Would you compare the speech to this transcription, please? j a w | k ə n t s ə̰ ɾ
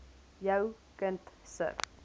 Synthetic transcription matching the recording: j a w | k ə n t s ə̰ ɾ